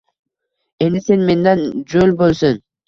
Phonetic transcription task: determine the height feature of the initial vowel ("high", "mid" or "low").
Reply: mid